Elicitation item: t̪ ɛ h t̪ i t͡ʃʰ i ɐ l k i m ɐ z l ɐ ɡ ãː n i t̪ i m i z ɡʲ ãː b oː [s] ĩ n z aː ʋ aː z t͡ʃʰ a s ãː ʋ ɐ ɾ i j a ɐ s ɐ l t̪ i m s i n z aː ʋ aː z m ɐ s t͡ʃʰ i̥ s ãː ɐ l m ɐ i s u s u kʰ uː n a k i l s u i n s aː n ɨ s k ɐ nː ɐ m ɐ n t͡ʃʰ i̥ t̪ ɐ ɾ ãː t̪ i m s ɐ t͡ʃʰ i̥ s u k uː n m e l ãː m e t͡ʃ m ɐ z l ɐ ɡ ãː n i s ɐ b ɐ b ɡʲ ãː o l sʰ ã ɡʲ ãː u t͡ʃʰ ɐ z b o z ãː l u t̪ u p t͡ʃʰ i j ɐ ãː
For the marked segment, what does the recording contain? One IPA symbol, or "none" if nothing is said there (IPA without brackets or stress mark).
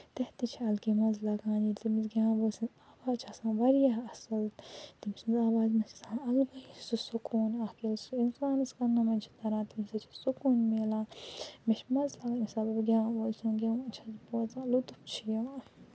s